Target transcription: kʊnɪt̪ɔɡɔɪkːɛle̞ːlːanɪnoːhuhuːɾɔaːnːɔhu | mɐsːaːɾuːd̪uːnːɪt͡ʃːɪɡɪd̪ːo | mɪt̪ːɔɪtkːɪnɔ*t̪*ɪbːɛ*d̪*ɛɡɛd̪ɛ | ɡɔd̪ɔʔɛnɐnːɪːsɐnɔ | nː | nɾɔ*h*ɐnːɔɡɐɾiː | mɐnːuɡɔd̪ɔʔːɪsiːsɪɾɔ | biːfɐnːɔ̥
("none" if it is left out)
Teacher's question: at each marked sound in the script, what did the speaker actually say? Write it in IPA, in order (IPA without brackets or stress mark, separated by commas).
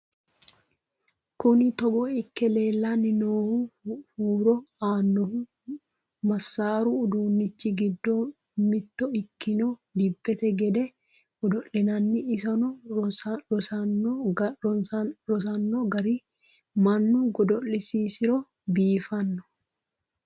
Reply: d̪, t̪, s